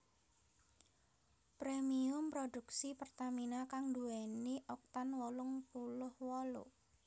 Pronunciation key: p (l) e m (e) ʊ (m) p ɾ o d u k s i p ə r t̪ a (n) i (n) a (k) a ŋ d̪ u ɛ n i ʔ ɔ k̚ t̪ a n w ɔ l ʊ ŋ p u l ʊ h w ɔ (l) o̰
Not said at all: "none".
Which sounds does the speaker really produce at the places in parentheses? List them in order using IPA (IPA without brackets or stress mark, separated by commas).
ɾ, i, m, m, n, k, l